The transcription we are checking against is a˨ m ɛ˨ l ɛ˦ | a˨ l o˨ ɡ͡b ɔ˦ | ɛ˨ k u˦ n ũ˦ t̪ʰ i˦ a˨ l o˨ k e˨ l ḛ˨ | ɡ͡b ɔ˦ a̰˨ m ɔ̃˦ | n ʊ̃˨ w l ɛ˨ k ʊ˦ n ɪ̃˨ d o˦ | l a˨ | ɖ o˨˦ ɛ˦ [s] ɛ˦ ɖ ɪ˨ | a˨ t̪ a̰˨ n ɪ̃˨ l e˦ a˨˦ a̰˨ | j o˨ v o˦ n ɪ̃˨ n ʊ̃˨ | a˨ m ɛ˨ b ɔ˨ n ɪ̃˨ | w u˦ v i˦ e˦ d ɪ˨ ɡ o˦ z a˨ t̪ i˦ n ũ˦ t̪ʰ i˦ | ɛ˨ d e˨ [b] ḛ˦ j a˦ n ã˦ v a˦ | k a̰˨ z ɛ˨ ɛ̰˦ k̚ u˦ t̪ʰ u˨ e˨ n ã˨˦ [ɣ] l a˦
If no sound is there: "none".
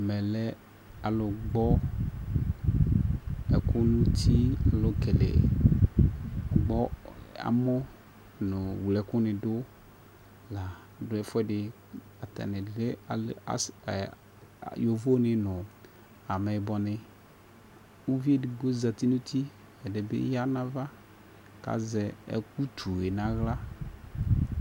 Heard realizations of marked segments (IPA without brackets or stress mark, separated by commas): f, b, ɣ